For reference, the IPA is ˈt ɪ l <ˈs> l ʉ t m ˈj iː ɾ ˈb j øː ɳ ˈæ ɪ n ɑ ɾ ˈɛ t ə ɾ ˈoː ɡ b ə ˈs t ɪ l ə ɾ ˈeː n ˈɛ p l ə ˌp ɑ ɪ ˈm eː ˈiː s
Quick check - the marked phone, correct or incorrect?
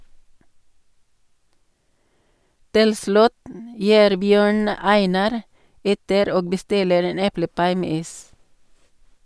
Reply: correct